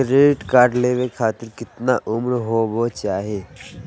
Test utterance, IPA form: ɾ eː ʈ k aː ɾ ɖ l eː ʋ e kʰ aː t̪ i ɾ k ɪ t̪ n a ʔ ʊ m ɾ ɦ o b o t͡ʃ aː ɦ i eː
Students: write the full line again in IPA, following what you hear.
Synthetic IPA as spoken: ɾ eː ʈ k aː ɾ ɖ l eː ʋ e kʰ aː t̪ ɪ ɾ k ɪ t̪ n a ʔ ʊ m ɾ ɦ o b o t͡ʃ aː ɦ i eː